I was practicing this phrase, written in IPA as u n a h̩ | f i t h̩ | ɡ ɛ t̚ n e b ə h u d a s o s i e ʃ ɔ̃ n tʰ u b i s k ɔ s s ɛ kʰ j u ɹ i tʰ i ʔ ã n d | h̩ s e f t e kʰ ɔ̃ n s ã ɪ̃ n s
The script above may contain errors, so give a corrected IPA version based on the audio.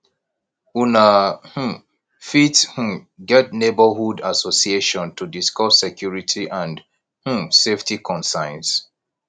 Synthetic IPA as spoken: u n a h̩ | f i t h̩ | ɡ ɛ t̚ n e b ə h u d a s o s i e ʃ ɔ̃ n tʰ u d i s k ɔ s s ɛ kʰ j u ɹ i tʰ i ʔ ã n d | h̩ s e f t i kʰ ɔ̃ n s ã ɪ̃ n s

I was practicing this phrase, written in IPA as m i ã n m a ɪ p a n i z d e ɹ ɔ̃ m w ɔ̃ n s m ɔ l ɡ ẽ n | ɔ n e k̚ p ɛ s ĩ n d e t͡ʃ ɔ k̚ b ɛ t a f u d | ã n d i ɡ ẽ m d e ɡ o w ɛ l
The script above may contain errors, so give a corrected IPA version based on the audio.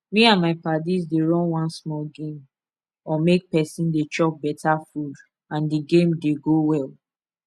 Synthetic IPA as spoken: m i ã n m a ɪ p a d i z d e ɹ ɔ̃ n w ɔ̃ n s m ɔ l ɡ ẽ m | ɔ m e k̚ p ɛ s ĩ n d e t͡ʃ ɔ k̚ b ɛ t a f u d | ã n d i ɡ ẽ m d e ɡ o w ɛ l

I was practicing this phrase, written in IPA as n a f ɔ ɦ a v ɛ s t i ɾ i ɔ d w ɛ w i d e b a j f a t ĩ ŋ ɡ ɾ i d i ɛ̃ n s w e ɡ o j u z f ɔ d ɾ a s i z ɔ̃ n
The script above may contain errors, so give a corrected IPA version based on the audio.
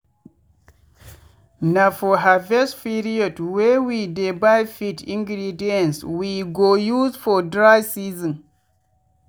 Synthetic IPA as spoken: n a f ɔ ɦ a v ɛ s p i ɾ i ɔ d w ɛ w i d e b a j f i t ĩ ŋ ɡ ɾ i d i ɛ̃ n s w i ɡ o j u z f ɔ d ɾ a s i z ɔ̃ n

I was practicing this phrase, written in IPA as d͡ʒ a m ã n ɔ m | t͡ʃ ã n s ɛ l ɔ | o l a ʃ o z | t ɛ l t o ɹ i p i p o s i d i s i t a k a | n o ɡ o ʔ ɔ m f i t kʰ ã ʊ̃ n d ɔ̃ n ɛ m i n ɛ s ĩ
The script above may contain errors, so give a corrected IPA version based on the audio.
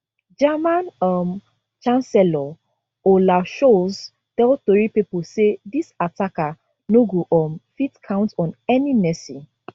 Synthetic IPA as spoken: d͡ʒ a m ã n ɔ m | t͡ʃ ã n s ɛ l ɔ | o l a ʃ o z | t ɛ l t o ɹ i p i p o s e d i s a t a k a | n o ɡ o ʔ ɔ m f i t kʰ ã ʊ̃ n t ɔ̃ n ɛ n i n ɛ s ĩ

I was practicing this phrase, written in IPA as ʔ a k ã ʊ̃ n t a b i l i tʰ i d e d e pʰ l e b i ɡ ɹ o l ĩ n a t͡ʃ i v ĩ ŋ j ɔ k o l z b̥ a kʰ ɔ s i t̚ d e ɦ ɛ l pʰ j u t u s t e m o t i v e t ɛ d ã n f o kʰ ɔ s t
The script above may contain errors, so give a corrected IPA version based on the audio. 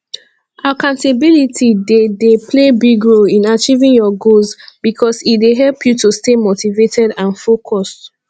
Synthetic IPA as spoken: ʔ a k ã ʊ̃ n t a b i l i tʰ i d e d e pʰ l e b i ɡ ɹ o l ĩ n a t͡ʃ i v ĩ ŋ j ɔ ɡ o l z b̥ i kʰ ɔ s i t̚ d e ɦ ɛ l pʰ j u t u s t e m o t i v e t ɛ d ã n f o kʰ ɔ s t

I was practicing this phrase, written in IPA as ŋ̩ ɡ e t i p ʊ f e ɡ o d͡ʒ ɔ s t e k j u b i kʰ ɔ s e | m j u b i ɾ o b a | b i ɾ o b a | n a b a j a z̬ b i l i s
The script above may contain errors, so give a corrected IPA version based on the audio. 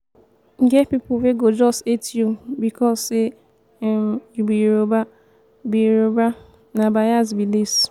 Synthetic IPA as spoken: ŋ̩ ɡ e p i p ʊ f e ɡ o d͡ʒ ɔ s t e t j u b i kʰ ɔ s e | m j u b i ɾ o b a | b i ɾ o b a | n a b a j a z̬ b i l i s

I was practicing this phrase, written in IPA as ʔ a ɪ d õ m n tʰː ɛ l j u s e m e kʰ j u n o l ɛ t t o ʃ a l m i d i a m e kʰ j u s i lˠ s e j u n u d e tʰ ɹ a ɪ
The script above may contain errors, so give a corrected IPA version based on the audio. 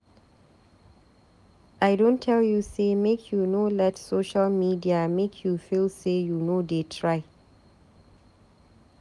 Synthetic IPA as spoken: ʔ a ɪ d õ n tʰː ɛ l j u s e m e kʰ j u n o l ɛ t s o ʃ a l m i d i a m e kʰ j u f i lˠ s e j u n o d e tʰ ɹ a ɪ

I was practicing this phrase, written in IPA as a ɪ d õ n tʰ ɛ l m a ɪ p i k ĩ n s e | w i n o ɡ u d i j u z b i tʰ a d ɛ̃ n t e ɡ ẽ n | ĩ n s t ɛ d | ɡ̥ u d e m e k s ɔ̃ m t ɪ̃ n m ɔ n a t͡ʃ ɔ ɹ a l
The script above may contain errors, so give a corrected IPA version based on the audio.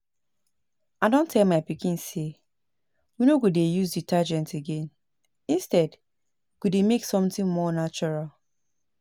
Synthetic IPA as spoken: a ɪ d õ n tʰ ɛ l m a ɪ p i k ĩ n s e | w i n o ɡ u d e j u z d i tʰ a d͡ʒ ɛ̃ n t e ɡ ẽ n | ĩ n s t ɛ d | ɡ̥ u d e m e k s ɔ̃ m t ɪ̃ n m ɔ n a t͡ʃ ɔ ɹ a l

